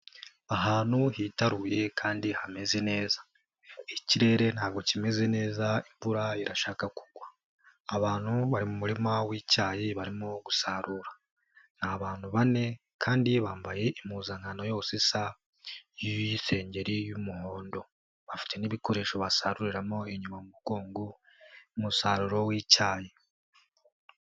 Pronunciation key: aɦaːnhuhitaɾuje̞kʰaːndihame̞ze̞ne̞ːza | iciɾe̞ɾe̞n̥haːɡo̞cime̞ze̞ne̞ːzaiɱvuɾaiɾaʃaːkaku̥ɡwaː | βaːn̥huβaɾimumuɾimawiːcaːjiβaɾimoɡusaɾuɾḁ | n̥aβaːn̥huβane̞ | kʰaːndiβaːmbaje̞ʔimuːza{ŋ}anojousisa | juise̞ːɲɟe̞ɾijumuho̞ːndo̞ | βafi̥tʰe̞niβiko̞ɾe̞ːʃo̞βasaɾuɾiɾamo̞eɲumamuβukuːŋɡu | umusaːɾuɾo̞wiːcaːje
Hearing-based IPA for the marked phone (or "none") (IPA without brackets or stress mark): ŋ